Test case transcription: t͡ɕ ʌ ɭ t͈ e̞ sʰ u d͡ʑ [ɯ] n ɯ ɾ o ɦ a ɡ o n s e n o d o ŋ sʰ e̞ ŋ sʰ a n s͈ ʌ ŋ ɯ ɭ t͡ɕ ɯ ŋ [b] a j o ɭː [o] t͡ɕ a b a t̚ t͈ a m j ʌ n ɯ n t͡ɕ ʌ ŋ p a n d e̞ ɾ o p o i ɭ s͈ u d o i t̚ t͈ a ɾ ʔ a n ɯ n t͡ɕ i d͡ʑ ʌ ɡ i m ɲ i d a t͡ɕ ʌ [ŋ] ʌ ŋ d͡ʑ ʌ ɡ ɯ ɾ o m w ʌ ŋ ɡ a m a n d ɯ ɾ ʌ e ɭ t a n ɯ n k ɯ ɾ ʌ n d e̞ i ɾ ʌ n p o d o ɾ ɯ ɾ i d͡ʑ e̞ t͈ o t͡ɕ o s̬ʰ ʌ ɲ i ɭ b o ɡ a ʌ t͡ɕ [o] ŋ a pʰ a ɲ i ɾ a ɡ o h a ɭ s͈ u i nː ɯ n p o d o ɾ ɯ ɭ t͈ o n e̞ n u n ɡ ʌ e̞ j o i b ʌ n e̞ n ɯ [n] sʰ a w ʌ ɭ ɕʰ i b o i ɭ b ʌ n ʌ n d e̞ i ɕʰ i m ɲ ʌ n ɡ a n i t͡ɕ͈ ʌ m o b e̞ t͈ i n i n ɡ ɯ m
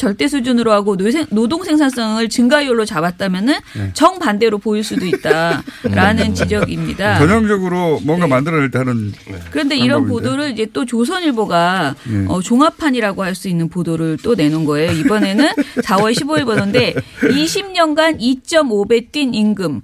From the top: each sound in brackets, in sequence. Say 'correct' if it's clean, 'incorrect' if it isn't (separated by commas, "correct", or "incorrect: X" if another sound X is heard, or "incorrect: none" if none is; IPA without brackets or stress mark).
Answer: incorrect: u, incorrect: ɡ, correct, incorrect: ɲ, correct, correct